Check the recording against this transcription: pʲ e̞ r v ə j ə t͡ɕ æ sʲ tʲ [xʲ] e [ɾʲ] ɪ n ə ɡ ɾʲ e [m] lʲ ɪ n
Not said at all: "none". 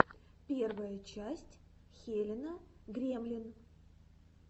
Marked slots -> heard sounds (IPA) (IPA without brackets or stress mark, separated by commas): xʲ, lʲ, m